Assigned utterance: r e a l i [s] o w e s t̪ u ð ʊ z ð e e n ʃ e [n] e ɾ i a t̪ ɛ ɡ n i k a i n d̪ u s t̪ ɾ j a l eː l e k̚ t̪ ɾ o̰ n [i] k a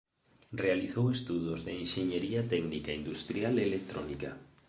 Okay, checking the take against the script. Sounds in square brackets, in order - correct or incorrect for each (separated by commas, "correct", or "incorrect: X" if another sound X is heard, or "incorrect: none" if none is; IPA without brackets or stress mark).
incorrect: θ, incorrect: ɲ, correct